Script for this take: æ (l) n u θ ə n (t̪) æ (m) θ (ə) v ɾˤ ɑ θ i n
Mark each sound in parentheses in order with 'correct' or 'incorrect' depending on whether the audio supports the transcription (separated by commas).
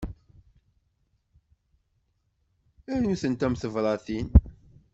incorrect, correct, correct, correct